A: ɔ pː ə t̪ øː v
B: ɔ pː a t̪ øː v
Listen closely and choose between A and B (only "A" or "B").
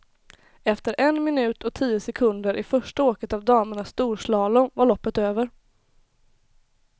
A